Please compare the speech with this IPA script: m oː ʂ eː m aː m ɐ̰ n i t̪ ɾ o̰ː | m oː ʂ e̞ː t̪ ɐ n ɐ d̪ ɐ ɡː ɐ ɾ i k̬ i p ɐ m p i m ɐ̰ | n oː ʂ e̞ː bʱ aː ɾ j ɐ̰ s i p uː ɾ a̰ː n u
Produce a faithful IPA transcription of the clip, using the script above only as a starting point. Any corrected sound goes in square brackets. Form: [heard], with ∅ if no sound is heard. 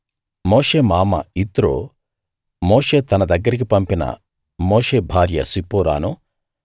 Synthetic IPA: m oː ʂ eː m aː m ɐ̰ [∅] i t̪ ɾ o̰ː | m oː ʂ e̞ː t̪ ɐ n ɐ d̪ ɐ ɡː ɐ ɾ i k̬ i p ɐ m p i [n] ɐ̰ | [m] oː ʂ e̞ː bʱ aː ɾ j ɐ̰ s i p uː ɾ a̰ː n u

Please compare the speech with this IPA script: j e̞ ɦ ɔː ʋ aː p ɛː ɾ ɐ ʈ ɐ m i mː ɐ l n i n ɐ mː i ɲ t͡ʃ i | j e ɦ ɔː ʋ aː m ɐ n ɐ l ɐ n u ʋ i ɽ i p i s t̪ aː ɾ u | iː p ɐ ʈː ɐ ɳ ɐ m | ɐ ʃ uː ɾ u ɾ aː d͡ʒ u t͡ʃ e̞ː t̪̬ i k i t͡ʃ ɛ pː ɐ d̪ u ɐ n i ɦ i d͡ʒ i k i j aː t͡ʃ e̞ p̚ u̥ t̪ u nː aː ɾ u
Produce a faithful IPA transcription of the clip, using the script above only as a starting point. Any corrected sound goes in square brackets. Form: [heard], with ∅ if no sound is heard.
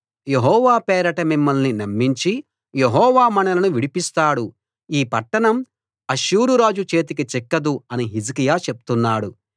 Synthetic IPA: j e̞ ɦ ɔː ʋ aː p ɛː ɾ ɐ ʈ ɐ m i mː ɐ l n i n ɐ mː i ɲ t͡ʃ i | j e ɦ ɔː ʋ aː m ɐ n ɐ l ɐ n u ʋ i ɽ i p i s t̪ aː [ɽ] u | iː p ɐ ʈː ɐ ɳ ɐ m | ɐ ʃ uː ɾ u ɾ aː d͡ʒ u t͡ʃ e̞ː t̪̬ i k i t͡ʃ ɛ [kː] ɐ d̪ u ɐ n i ɦ i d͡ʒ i k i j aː t͡ʃ e̞ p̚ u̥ t̪ u nː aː [ɽ] u

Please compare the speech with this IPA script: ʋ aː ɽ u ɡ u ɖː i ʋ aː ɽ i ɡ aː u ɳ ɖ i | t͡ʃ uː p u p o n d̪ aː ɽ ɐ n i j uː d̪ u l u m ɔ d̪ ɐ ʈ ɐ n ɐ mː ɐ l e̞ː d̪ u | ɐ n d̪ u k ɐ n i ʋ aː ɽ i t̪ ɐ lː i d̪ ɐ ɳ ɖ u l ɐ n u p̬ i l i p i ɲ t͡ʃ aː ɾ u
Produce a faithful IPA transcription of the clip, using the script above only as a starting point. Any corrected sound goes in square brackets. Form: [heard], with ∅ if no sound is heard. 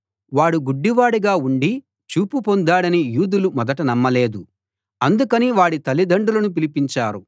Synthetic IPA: ʋ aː ɽ u ɡ u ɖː i ʋ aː ɽ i ɡ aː u ɳ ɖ i | t͡ʃ uː p u p o n d̪ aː ɽ ɐ n i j uː d̪ u l u m ɔ d̪ ɐ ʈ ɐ n ɐ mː ɐ l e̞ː d̪ u | ɐ n d̪ u k ɐ n i ʋ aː ɽ i t̪ ɐ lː i d̪ ɐ ɳ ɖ u l ɐ n u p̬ i l i p i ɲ t͡ʃ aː ɾ u

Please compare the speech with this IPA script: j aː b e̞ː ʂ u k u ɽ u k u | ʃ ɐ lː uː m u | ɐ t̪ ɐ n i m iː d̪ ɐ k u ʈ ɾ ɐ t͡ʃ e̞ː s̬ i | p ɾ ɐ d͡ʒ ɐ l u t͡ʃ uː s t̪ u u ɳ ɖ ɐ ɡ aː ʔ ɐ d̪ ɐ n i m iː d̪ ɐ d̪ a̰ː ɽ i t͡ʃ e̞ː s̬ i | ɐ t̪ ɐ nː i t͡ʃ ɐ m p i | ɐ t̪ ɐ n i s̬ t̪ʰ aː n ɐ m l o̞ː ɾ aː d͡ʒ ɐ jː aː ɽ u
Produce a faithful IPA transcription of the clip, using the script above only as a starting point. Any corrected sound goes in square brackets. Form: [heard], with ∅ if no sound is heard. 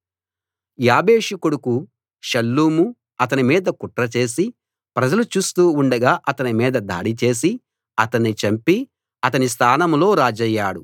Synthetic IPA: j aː b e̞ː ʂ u k u ɽ u k u | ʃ ɐ lː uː m u | ɐ t̪ ɐ n i m iː d̪ ɐ k u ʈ ɾ ɐ t͡ʃ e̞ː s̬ i | p ɾ ɐ d͡ʒ ɐ l u t͡ʃ uː s t̪ [uː] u ɳ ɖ ɐ ɡ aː ʔ ɐ [t̪] ɐ n i m iː d̪ ɐ d̪ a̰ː ɽ i t͡ʃ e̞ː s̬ i | ɐ t̪ ɐ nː i t͡ʃ ɐ m p i | ɐ t̪ ɐ n i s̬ t̪ʰ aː n ɐ m l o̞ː ɾ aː d͡ʒ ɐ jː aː ɽ u

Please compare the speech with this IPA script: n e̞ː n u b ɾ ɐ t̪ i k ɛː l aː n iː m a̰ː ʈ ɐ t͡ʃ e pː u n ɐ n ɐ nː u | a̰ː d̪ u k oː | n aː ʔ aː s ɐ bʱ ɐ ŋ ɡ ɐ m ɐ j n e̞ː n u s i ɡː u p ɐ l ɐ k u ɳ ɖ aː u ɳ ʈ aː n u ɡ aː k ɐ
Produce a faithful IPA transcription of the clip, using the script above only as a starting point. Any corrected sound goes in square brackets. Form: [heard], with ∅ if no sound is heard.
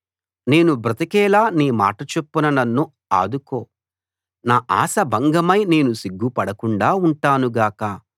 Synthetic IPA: n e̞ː n u b ɾ ɐ t̪ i k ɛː l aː n iː m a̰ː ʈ ɐ t͡ʃ e pː u n ɐ n ɐ nː u | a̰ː d̪ u k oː | n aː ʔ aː s ɐ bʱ ɐ ŋ ɡ ɐ m ɐ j n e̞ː n u s i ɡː u p ɐ [ɽ] ɐ k u ɳ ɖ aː u ɳ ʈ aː n u ɡ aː k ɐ

